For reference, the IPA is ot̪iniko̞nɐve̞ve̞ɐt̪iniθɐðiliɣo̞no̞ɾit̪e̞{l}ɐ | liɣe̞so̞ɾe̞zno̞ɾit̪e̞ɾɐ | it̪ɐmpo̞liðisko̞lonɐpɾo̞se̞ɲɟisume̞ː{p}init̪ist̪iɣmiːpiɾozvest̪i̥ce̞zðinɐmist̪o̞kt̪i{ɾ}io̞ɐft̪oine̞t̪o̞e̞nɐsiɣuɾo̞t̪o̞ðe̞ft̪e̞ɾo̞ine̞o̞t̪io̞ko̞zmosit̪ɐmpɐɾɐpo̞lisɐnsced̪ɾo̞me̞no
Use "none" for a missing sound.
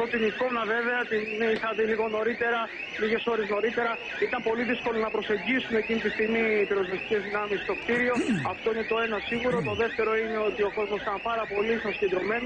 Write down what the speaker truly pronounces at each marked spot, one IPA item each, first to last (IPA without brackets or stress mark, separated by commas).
ɾ, c, ɾ